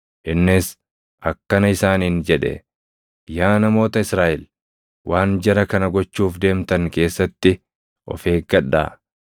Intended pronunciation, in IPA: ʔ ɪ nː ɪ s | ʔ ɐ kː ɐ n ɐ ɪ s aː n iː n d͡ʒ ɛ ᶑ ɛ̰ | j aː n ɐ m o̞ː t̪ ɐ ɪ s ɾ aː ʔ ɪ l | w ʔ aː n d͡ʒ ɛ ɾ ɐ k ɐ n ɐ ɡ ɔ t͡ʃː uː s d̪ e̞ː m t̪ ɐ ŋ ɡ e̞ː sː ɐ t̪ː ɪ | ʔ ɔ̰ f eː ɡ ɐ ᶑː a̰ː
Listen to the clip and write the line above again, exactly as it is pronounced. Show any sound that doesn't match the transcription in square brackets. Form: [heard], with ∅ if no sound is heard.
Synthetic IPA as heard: ʔ ɪ nː ɪ s | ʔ ɐ kː ɐ n ɐ ɪ s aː n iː n d͡ʒ ɛ ᶑ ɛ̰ | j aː n ɐ m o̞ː t̪ ɐ ɪ s ɾ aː ʔ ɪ l | w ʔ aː n d͡ʒ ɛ ɾ ɐ k ɐ n ɐ ɡ ɔ t͡ʃː uː [f] d̪ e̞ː m t̪ ɐ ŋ [k] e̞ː sː ɐ t̪ː ɪ | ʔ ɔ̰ f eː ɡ ɐ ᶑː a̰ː